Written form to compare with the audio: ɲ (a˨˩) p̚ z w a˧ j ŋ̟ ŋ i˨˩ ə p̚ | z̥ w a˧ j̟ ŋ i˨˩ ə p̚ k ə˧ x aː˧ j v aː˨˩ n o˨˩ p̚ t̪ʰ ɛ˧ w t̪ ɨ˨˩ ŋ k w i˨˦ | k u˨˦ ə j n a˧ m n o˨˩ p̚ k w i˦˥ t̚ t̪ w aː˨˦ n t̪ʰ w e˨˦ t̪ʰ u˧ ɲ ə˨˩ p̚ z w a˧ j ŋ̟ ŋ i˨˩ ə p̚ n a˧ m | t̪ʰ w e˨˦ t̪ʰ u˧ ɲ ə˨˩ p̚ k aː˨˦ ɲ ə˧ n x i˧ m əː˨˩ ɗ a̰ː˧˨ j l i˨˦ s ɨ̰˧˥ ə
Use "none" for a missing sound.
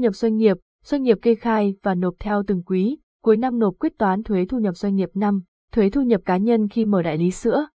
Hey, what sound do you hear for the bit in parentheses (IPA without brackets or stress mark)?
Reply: ə˨˩